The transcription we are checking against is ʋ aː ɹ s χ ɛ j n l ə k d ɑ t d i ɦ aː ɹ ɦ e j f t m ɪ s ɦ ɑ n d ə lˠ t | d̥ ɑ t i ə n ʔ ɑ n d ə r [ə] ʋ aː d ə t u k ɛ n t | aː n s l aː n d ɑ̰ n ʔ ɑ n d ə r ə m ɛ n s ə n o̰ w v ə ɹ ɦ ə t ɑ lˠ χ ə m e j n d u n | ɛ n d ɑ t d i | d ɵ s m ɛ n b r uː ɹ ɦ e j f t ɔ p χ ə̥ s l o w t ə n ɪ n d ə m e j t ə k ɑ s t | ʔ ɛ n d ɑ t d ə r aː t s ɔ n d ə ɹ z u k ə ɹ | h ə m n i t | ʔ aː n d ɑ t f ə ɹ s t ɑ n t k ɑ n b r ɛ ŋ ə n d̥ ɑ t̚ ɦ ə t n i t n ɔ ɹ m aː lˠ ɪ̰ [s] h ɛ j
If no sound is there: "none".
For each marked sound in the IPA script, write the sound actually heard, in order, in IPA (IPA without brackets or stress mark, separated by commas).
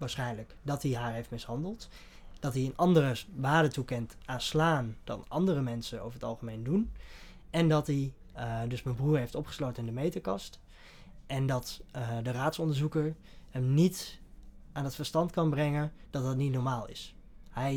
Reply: ə, s